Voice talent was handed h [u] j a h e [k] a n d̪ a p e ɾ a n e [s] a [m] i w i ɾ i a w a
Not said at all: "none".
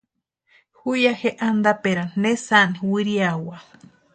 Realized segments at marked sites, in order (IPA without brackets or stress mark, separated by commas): u, ʔ, s, n